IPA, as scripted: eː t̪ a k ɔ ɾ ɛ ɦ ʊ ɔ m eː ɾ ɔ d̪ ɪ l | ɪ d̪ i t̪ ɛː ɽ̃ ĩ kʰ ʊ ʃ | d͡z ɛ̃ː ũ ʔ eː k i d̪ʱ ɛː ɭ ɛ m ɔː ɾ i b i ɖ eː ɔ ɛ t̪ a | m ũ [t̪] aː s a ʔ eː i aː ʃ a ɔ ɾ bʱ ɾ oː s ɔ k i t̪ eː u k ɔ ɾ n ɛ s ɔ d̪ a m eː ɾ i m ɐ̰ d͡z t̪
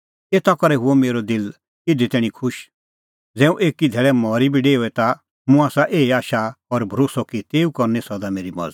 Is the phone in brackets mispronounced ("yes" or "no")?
yes